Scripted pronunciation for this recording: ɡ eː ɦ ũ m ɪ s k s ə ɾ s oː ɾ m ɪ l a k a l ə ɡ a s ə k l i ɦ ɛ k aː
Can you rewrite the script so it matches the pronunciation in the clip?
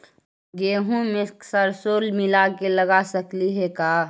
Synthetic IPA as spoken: ɡ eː ɦ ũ m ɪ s k s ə ɾ s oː l m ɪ l a k e l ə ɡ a s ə k l i ɦ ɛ k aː